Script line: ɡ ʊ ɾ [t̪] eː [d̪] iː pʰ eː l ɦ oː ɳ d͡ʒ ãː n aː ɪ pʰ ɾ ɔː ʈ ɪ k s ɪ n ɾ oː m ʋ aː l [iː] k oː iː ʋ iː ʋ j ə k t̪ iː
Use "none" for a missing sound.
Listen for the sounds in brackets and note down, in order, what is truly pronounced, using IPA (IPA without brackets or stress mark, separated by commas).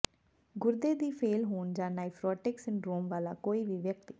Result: d̪, d̪, aː